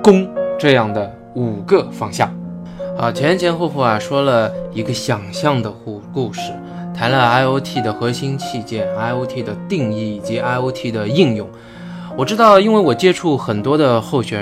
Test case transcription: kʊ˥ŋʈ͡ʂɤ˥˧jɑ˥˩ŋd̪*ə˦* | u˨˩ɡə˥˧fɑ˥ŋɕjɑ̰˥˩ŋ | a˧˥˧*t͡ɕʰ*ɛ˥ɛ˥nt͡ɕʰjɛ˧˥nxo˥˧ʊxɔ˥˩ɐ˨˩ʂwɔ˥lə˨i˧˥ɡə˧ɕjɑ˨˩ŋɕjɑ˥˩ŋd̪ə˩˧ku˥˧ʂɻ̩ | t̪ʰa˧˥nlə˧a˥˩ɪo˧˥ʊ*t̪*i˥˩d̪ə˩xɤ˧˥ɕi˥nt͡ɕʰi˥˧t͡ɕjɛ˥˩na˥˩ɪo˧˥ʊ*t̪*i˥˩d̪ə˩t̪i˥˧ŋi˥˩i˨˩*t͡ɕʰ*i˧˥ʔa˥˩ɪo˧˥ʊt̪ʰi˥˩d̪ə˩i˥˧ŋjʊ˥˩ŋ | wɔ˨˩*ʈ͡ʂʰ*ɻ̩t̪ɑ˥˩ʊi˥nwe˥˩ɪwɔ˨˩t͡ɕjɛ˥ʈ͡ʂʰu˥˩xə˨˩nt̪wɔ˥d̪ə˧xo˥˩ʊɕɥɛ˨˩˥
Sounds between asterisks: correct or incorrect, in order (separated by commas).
incorrect, correct, incorrect, incorrect, incorrect, incorrect